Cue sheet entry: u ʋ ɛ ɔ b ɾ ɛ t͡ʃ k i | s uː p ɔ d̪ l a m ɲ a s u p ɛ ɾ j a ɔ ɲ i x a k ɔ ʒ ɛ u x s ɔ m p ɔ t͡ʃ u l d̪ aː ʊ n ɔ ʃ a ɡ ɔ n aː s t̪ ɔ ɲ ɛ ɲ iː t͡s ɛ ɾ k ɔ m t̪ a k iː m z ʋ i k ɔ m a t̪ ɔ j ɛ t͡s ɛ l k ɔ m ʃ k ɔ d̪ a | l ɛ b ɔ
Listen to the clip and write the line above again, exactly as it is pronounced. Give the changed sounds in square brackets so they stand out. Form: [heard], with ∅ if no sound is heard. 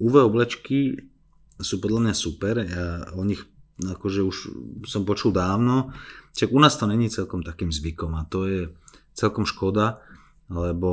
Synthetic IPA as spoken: u ʋ ɛ ɔ b [l] ɛ t͡ʃ k i | s uː p ɔ d̪ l a m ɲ a s u p ɛ ɾ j a ɔ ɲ i x a k ɔ ʒ ɛ u [ʃ] s ɔ m p ɔ t͡ʃ u l d̪ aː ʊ n ɔ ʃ a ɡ [u] n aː s t̪ ɔ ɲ ɛ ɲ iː t͡s ɛ [l] k ɔ m t̪ a k iː m z ʋ i k ɔ m a t̪ ɔ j ɛ t͡s ɛ l k ɔ m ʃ k ɔ d̪ a | l ɛ b ɔ